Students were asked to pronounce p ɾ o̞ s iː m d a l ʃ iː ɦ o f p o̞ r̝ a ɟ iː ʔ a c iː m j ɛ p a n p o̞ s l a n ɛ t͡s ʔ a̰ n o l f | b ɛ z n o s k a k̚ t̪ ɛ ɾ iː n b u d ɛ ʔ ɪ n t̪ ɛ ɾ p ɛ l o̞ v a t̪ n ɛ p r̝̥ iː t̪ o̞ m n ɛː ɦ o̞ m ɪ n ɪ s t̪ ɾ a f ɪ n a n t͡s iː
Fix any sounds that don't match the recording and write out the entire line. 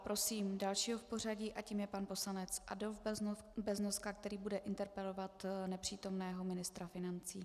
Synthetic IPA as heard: p ɾ o̞ s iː m d a l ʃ iː ɦ o f p o̞ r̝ a ɟ iː ʔ a c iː m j ɛ p a n p o̞ s l a n ɛ t͡s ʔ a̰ d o l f | b ɛ z n o s k a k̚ t̪ ɛ ɾ iː b u d ɛ ʔ ɪ n t̪ ɛ ɾ p ɛ l o̞ v a t̪ n ɛ p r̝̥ iː t̪ o̞ m n ɛː ɦ o̞ m ɪ n ɪ s t̪ ɾ a f ɪ n a n t͡s iː